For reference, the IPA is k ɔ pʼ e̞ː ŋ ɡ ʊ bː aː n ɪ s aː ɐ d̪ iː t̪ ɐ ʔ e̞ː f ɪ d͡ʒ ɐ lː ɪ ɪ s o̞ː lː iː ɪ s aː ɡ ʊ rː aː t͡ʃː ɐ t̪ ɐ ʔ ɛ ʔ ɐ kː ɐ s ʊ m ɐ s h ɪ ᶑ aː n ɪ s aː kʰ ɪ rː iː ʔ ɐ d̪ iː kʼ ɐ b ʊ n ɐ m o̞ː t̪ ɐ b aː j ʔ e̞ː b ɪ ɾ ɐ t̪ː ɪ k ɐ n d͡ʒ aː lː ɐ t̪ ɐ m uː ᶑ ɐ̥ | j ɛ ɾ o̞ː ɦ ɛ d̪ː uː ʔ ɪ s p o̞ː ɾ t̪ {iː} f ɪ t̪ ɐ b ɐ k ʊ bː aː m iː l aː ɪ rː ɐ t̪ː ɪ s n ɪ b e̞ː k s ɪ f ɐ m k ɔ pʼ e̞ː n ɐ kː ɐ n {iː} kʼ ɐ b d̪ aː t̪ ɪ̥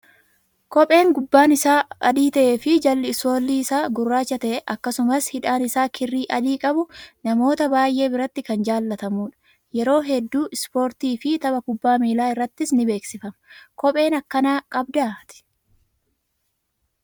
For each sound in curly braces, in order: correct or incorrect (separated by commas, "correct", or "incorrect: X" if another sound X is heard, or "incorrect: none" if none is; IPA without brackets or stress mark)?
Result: correct, incorrect: aː